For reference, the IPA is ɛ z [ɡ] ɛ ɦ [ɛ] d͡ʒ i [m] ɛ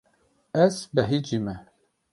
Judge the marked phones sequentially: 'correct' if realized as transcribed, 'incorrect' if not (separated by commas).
incorrect, incorrect, correct